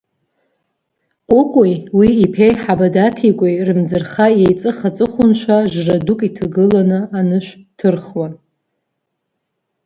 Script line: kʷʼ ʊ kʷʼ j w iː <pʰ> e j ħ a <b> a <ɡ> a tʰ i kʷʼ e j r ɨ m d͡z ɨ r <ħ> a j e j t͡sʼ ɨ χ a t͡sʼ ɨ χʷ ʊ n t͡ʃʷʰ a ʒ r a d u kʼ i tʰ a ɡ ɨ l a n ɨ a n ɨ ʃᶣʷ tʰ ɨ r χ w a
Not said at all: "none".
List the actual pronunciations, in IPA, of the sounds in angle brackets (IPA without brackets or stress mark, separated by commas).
pʰ, b, d, χ